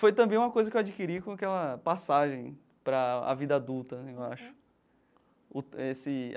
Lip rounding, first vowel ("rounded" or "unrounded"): rounded